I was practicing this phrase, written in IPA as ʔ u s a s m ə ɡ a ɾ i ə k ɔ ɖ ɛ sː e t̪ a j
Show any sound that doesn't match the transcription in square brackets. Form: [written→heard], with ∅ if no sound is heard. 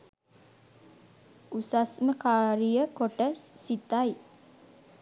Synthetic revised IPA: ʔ u s a s m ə [ɡ→k] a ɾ i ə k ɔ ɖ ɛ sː [e→i] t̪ a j